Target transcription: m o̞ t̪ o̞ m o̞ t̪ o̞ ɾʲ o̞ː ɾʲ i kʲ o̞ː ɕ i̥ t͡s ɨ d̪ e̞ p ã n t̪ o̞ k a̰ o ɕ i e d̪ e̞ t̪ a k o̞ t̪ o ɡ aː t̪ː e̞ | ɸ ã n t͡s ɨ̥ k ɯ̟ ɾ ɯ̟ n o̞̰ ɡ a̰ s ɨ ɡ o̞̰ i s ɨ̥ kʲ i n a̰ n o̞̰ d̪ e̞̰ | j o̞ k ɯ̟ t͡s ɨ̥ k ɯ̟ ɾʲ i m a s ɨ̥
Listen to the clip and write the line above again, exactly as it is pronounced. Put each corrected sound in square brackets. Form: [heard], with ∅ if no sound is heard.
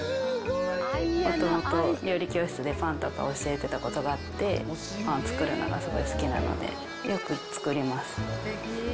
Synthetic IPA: m o̞ t̪ o̞ m o̞ t̪ o̞ ɾʲ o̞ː ɾʲ i kʲ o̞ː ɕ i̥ t͡s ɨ d̪ e̞ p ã n t̪ o̞ k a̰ o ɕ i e [t̪] e̞ t̪ a k o̞ t̪ o ɡ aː t̪ː e̞ | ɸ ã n t͡s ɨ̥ k ɯ̟ ɾ ɯ̟ n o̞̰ ɡ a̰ s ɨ ɡ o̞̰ i s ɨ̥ kʲ i n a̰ n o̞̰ d̪ e̞̰ | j o̞ k ɯ̟ t͡s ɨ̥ k ɯ̟ ɾʲ i m a s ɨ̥